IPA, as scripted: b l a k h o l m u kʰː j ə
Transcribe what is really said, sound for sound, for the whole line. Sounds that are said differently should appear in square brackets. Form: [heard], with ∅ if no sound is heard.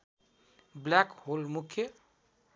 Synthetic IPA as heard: b l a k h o l m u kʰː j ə